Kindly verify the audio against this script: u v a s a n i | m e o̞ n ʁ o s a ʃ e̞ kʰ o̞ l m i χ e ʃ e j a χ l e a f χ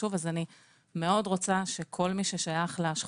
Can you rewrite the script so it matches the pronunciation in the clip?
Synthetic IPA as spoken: u v a z a n i | m e o̞ d ʁ o t͡s a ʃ e̞ kʰ o̞ l m i ʃ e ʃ a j a χ l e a ʃ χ